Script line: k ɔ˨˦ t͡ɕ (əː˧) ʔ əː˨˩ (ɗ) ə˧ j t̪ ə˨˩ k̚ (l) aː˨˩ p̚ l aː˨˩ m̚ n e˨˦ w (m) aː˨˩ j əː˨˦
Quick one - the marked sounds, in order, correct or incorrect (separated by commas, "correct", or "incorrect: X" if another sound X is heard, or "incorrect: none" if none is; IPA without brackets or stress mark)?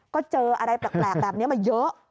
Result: correct, correct, correct, correct